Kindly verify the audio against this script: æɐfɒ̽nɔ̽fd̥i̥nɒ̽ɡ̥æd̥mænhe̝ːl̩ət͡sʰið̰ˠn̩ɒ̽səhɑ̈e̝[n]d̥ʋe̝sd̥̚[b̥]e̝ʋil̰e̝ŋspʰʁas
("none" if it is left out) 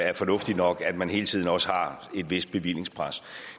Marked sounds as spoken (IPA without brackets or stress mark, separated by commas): none, b̥